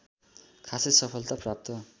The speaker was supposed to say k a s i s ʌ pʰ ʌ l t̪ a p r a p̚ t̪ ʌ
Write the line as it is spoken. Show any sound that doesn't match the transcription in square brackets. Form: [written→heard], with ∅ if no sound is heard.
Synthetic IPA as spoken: [k→kʰ] a s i s ʌ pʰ ʌ l t̪ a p r a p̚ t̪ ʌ